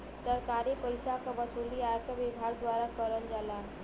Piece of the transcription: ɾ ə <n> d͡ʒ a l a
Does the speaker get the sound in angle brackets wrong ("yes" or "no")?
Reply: no